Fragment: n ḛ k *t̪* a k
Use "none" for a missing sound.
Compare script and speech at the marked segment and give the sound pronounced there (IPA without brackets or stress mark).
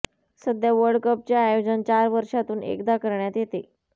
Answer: d̪